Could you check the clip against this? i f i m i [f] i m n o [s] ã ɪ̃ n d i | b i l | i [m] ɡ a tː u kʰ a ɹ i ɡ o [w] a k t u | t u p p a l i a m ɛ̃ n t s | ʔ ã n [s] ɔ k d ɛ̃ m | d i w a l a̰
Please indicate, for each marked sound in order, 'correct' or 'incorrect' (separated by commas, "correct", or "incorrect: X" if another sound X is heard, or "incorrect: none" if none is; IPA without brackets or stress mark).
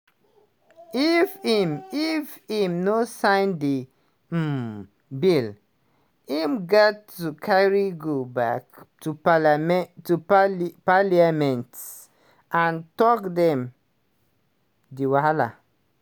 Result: correct, correct, correct, incorrect: b, incorrect: t